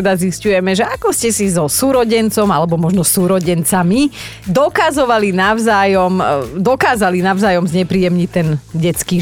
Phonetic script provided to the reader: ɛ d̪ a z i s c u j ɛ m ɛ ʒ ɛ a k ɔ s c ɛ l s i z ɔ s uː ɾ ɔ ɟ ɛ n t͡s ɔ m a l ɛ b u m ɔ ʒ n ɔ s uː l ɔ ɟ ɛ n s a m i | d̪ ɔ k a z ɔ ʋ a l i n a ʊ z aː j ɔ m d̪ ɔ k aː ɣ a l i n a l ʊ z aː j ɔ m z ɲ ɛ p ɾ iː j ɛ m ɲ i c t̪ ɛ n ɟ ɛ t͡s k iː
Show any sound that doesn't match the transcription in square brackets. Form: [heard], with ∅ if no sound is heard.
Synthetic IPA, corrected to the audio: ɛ d̪ a z i s c u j ɛ m ɛ ʒ ɛ a k ɔ s c ɛ [∅] s i z ɔ s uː ɾ ɔ ɟ ɛ n t͡s ɔ m a l ɛ b [ɔ] m ɔ ʒ n ɔ s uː [ɾ] ɔ ɟ ɛ n [t͡s] a m i | d̪ ɔ k a z ɔ ʋ a l i n a ʊ z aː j ɔ m d̪ ɔ k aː [z] a l i n a [∅] ʊ z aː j ɔ m z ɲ ɛ p ɾ iː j ɛ m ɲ i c t̪ ɛ n ɟ ɛ t͡s k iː